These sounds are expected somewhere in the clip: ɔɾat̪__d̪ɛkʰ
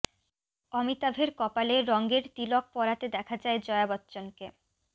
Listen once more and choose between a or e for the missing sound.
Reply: e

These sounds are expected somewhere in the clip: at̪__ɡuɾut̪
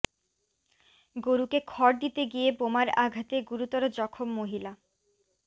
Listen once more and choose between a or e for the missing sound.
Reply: e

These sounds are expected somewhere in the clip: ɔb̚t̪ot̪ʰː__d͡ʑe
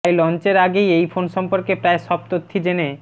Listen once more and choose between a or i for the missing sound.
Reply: i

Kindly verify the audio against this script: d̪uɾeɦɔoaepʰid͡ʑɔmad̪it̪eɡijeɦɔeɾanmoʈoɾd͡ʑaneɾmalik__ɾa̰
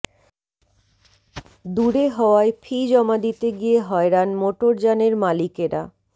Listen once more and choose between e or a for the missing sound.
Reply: e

